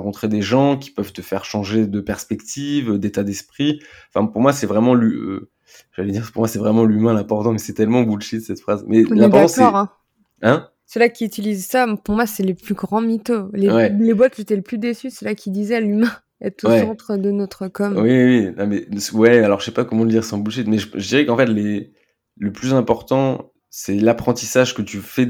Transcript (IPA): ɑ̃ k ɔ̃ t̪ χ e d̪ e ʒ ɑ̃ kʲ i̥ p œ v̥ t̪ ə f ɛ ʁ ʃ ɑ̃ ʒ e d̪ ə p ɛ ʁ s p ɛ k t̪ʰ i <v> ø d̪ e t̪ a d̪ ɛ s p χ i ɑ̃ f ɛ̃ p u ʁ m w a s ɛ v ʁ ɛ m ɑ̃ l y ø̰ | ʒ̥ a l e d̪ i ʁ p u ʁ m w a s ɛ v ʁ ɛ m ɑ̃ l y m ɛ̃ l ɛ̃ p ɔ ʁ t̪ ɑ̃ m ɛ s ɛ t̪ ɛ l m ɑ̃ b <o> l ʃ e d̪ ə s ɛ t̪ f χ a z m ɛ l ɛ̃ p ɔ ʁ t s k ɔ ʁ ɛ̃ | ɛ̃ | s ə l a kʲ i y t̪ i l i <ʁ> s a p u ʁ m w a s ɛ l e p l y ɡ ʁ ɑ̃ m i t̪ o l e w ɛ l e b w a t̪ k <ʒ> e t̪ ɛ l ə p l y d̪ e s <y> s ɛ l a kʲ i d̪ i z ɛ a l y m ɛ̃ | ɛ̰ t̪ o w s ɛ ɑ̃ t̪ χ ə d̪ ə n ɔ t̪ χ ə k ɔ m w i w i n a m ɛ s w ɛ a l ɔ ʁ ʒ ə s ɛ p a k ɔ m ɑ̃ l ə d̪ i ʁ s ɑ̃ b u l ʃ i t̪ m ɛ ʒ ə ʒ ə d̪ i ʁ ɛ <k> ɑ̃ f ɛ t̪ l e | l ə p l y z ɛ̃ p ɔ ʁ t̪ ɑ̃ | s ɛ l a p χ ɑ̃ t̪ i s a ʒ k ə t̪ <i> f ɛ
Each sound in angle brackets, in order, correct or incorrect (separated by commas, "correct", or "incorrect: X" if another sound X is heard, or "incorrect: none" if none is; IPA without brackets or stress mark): correct, incorrect: u, incorrect: z, correct, correct, correct, incorrect: y